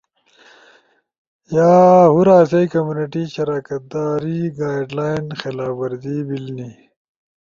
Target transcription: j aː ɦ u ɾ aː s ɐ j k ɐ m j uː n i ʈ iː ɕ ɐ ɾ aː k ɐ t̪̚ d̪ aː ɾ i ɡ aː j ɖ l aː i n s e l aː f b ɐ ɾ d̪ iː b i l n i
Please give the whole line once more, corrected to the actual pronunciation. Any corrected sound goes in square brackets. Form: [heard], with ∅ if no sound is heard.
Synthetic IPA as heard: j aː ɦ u ɾ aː s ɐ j k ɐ m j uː n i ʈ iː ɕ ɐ ɾ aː k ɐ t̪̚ d̪ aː ɾ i ɡ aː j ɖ l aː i n [x] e l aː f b ɐ ɾ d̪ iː b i l n i